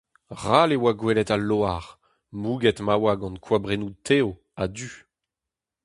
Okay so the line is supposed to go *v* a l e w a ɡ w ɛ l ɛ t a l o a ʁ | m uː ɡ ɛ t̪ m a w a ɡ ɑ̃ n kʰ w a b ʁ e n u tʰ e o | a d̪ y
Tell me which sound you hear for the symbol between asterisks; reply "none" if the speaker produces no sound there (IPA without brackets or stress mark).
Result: ʁ